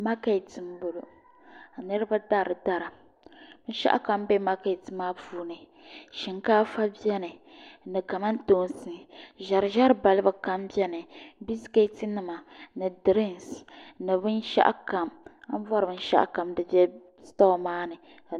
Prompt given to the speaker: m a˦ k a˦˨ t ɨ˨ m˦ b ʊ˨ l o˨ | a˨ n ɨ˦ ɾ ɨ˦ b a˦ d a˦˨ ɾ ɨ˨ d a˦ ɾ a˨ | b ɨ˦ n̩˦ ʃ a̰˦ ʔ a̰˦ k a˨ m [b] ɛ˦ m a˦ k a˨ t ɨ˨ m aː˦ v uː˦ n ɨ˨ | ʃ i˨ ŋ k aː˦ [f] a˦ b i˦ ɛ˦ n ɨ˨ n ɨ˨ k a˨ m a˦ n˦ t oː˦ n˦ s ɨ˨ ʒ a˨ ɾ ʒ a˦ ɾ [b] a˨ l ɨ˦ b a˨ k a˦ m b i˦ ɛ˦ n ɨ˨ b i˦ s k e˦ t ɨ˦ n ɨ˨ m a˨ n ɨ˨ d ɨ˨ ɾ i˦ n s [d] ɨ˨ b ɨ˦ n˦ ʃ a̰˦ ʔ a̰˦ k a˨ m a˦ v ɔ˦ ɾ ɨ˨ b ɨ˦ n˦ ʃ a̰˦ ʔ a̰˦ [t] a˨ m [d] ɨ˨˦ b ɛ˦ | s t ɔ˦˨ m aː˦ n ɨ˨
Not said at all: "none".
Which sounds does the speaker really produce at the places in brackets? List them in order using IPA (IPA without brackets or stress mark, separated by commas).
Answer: b, f, b, n, k, d